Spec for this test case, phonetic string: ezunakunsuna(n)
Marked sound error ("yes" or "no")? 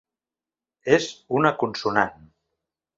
no